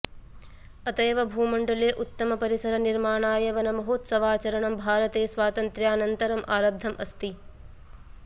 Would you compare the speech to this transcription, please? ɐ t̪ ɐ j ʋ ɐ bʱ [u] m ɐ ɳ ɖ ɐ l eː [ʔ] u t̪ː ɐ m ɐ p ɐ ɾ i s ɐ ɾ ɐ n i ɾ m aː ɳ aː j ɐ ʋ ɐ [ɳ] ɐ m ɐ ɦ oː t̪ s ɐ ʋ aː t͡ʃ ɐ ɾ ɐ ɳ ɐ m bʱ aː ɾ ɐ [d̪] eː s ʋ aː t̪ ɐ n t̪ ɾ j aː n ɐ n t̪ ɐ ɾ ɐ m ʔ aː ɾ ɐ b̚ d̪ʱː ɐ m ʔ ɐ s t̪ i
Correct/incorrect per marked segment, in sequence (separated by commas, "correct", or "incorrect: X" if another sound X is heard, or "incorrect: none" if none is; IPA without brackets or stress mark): incorrect: uː, correct, incorrect: n, incorrect: t̪